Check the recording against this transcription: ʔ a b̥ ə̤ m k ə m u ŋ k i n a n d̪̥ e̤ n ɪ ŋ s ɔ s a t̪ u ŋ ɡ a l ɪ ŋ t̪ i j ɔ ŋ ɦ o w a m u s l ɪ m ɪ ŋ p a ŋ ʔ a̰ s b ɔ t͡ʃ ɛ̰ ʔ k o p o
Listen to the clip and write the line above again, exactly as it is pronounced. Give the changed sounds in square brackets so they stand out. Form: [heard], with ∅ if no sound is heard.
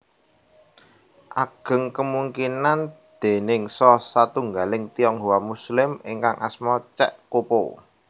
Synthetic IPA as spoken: ʔ a [ɡ̥] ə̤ [ŋ] k ə m u ŋ k i n a n d̪̥ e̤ n ɪ ŋ s ɔ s a t̪ u ŋ ɡ a l ɪ ŋ t̪ i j ɔ ŋ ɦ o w a m u s l ɪ m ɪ ŋ [k] a ŋ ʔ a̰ s [m] ɔ t͡ʃ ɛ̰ ʔ k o p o